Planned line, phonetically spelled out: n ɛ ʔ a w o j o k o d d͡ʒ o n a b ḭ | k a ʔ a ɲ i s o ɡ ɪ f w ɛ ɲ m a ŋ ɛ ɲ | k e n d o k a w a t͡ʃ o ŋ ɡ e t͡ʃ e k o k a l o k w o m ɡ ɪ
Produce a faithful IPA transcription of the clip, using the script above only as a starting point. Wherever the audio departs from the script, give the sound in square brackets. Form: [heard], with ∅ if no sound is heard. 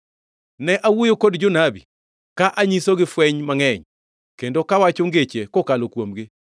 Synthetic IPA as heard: n ɛ ʔ a w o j o k o d d͡ʒ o n a b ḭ | k a ʔ a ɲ i s o ɡ ɪ f w ɛ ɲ m a ŋ ɛ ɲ | k e n d o k a w a t͡ʃ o ŋ ɡ e t͡ʃ e k o k a l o k w o m ɡ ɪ